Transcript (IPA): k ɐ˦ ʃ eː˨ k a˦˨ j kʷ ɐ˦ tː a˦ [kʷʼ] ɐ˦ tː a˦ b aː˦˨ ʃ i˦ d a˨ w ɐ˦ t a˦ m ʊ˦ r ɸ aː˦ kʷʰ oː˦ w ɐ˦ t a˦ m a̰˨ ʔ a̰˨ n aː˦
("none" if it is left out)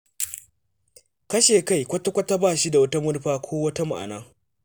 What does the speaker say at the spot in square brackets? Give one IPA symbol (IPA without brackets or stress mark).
kʷ